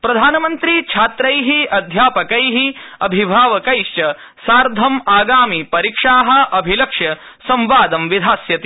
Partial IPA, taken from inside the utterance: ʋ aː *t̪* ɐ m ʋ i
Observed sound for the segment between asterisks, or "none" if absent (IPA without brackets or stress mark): d̪